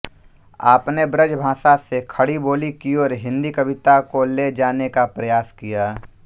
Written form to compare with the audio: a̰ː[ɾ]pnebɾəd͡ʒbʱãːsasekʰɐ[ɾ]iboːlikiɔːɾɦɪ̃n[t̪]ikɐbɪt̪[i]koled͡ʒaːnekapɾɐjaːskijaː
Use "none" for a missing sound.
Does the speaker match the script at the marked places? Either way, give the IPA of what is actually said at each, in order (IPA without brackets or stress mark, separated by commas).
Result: none, ɽ, d̪, a